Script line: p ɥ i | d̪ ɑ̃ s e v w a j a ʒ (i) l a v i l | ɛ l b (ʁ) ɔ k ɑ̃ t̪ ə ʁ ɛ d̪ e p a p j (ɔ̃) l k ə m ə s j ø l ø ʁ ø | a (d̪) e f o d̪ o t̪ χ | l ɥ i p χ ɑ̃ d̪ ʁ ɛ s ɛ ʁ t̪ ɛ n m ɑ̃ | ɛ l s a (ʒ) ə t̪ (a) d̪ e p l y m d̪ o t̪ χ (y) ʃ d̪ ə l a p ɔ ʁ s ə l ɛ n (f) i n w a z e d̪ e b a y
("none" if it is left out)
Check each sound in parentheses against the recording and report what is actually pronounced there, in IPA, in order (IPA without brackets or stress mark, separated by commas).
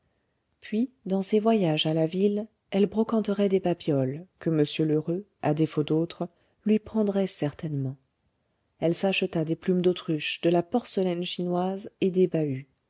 a, ʁ, ɔ, d̪, ʃ, a, y, ʃ